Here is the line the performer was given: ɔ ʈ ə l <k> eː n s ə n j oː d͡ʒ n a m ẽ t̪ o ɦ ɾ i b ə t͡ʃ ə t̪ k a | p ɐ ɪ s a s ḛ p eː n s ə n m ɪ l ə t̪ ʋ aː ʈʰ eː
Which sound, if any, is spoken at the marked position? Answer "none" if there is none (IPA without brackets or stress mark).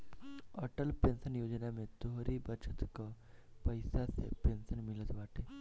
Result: p